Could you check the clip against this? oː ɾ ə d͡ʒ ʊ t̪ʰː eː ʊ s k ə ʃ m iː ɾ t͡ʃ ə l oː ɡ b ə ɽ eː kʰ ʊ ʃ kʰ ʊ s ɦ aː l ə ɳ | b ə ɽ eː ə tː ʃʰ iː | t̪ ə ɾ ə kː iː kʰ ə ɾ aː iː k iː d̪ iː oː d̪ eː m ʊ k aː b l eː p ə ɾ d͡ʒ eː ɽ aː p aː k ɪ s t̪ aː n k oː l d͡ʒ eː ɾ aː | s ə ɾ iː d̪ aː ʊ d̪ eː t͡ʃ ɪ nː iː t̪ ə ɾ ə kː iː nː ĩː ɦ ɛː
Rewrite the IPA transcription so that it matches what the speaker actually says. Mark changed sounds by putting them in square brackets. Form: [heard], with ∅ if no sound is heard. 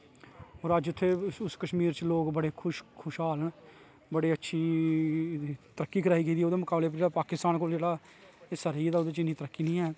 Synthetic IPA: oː ɾ ə d͡ʒ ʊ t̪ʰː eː ʊ s k ə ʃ m iː ɾ t͡ʃ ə l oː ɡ b ə ɽ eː kʰ ʊ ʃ kʰ ʊ [ʃ] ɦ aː l ə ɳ | b ə ɽ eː ə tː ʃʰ iː | t̪ ə ɾ ə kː iː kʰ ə ɾ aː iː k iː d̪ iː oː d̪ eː m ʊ k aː b l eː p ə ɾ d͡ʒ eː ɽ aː p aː k ɪ s t̪ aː n k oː l d͡ʒ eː [ɽ] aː | s ə ɾ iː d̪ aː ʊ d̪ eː t͡ʃ ɪ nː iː t̪ ə ɾ ə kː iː [n] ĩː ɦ ɛː